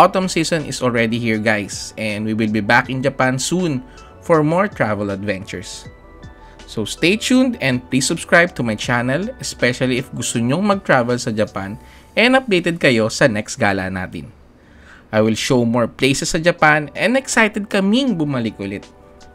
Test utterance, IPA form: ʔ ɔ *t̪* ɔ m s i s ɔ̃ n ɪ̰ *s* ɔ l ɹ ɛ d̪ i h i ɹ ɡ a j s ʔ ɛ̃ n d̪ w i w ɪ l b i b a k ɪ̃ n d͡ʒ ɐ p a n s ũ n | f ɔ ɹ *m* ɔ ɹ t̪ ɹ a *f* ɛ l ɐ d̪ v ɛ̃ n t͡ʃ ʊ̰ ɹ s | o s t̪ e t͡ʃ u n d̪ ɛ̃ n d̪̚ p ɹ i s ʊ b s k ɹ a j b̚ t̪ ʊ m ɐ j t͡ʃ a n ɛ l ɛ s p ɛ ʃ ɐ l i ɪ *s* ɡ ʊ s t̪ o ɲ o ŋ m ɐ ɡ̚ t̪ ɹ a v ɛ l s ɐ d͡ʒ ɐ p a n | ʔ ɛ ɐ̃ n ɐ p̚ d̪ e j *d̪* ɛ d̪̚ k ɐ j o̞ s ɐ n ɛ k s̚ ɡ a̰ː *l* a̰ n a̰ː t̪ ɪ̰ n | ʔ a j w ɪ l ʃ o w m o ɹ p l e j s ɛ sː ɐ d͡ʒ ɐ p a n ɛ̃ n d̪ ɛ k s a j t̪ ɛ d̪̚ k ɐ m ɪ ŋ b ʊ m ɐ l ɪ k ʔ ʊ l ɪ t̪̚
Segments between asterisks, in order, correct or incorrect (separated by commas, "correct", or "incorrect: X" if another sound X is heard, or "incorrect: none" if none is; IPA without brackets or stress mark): correct, correct, correct, incorrect: v, incorrect: f, incorrect: t̪, correct